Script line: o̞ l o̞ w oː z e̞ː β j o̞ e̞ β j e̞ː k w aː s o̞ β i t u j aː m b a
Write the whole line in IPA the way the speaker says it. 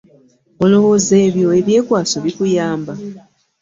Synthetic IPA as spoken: o̞ l o̞ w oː z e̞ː β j o̞ e̞ β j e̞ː k w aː s o̞ β i k u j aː m b a

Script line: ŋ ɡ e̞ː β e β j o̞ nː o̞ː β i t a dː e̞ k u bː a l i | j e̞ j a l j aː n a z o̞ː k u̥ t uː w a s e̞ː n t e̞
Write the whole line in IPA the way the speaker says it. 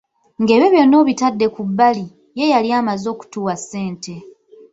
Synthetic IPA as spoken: ŋ ɡ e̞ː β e β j o̞ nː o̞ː β i t a dː e̞ k u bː a l i | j e̞ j a l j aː m a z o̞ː k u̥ t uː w a s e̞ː n t e̞

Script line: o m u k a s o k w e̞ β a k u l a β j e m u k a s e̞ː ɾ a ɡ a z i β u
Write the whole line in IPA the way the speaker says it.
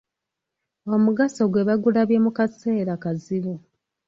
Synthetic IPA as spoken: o m u ɡ a s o ɡ w e̞ β a ɡ u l a β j e m u k a s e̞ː ɾ a k a z i β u

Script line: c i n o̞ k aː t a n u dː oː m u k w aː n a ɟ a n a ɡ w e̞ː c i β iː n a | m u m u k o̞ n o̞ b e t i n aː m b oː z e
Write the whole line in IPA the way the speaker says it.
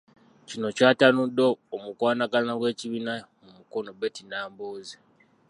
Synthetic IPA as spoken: c i n o̞ c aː t a n u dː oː m u k w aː n a ɡ a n a ɡ w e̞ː c i β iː n a | m u m u k o̞ n o̞ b e t i n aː m b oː z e

